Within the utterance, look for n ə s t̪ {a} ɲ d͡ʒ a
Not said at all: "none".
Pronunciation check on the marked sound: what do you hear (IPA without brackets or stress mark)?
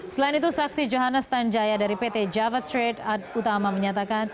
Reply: a